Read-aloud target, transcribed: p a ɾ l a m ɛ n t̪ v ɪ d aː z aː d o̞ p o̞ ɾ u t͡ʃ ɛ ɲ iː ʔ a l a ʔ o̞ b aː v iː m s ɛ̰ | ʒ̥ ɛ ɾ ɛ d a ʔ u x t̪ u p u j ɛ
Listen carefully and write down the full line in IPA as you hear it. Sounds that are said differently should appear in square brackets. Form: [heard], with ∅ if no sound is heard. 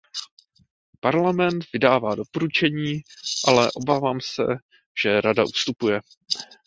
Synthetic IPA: p a ɾ l a m ɛ n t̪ v ɪ d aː [v] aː d o̞ p o̞ ɾ u t͡ʃ ɛ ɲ iː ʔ a l [ɛ] ʔ o̞ b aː v [aː] m s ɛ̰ | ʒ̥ ɛ ɾ [a] d a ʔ u [s] t̪ u p u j ɛ